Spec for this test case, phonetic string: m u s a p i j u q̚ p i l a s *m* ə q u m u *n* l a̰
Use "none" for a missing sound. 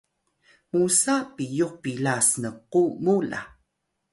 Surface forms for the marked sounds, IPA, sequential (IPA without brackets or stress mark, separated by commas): n, none